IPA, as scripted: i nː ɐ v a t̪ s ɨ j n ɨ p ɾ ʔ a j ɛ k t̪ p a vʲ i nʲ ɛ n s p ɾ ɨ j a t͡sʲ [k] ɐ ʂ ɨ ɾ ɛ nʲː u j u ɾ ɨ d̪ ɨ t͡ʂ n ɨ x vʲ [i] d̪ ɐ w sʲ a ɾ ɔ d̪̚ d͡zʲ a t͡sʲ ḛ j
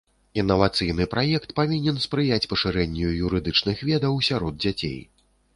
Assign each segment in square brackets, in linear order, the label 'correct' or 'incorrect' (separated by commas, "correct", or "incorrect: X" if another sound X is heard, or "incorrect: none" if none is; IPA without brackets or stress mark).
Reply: incorrect: p, incorrect: ɛ